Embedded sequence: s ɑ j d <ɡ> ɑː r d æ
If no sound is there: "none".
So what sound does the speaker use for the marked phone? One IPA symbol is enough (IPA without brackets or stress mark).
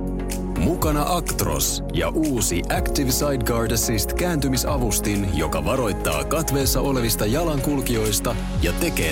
ɡ